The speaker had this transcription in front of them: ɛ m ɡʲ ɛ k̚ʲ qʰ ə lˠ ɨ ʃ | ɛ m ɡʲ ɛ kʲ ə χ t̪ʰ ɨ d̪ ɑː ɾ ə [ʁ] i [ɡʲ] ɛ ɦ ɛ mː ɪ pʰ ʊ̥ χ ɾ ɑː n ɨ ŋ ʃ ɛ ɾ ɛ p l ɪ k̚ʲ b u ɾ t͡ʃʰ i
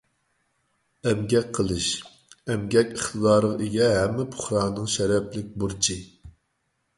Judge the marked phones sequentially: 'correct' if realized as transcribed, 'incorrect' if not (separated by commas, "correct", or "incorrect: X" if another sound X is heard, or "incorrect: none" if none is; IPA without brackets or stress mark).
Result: correct, correct